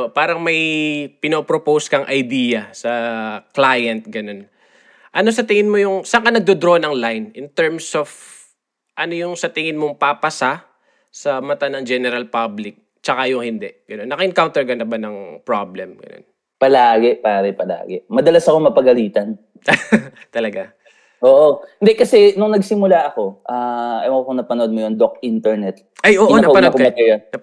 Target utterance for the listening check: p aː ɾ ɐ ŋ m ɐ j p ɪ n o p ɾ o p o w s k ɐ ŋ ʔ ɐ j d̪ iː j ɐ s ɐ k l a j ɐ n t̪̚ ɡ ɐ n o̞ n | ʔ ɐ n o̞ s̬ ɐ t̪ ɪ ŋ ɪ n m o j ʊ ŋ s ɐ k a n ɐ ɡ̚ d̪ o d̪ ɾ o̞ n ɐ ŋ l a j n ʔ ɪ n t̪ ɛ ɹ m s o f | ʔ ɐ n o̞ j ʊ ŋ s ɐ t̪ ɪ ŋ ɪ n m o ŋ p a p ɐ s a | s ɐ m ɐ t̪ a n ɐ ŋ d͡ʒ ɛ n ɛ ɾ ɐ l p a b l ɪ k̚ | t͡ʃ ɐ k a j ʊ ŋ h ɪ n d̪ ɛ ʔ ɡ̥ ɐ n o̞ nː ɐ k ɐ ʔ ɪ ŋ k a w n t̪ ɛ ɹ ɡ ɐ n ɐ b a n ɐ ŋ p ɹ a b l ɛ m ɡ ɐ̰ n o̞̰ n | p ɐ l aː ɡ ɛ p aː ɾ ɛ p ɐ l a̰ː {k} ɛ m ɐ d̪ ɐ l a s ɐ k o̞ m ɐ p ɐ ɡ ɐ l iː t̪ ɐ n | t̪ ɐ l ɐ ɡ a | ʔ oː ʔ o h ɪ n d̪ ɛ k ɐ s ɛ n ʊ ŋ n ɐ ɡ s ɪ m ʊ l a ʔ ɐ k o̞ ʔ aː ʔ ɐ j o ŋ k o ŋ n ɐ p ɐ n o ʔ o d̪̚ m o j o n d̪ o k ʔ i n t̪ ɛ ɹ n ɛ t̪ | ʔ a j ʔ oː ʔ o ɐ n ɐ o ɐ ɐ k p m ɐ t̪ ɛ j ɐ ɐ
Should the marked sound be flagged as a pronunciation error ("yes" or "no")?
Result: yes